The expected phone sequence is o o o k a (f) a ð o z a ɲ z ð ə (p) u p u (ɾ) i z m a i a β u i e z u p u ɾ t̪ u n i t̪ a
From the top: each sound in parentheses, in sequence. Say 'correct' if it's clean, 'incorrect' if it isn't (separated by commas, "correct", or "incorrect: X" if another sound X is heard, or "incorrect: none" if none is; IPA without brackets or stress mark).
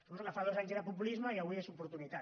correct, correct, incorrect: l